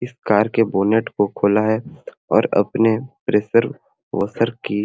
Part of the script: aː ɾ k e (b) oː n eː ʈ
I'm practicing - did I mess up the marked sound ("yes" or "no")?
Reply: no